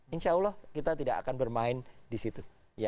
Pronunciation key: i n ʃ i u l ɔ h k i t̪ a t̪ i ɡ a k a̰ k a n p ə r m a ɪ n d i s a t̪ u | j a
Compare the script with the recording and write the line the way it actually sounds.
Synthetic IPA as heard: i n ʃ a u l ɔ h k i t̪ a t̪ i d a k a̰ k a n b ə r m a ɪ n d i s i t̪ u | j a